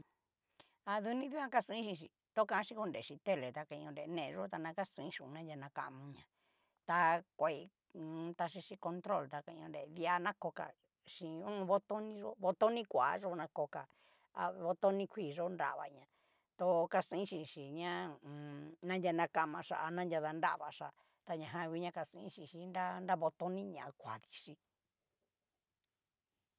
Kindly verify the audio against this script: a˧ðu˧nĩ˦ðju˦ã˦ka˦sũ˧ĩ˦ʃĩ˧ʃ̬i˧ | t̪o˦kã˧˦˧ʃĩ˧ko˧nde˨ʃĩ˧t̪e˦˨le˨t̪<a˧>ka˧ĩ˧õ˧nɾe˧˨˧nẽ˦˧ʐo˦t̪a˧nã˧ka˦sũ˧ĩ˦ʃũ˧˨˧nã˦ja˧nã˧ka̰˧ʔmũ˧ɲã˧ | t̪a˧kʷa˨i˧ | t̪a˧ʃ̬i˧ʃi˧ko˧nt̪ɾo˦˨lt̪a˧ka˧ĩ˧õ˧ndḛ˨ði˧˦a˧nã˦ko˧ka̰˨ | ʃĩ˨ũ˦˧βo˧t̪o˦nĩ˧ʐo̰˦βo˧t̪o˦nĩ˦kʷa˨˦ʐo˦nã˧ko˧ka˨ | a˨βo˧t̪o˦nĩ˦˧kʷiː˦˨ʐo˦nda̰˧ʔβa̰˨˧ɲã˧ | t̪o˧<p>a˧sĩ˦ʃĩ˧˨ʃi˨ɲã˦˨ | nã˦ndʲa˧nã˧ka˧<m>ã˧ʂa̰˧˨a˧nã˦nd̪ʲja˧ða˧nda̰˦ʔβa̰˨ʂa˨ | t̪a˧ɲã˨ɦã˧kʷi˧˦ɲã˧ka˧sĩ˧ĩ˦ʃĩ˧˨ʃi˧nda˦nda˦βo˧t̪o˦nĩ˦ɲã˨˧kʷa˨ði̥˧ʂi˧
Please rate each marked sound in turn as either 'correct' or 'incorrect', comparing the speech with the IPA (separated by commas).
correct, incorrect, correct